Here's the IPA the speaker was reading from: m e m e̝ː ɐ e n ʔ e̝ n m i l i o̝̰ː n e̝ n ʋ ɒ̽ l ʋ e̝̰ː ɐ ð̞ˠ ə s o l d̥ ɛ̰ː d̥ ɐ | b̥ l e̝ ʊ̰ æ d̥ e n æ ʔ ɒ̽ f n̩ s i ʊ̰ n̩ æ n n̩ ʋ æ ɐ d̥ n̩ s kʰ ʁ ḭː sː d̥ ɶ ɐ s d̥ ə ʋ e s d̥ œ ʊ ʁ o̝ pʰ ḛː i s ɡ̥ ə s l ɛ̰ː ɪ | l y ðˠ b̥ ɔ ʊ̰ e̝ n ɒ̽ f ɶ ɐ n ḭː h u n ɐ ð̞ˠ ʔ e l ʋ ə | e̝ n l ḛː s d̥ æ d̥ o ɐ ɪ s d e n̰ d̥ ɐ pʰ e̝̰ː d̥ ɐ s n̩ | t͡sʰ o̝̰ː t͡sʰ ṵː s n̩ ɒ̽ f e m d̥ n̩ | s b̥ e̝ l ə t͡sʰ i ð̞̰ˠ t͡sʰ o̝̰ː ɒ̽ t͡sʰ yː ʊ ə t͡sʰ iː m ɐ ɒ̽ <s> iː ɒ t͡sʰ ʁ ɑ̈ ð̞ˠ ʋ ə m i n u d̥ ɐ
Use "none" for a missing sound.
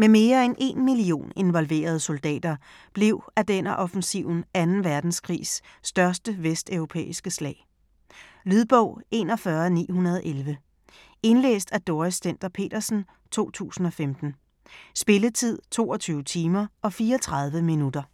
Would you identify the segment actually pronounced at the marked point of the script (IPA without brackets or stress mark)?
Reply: f